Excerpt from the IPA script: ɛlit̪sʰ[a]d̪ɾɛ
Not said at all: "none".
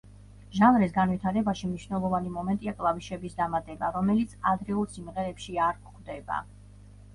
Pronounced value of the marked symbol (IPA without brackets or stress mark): a